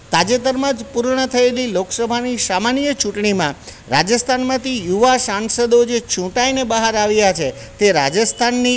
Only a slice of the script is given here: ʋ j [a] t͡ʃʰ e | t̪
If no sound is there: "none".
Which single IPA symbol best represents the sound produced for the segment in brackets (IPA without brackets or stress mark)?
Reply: a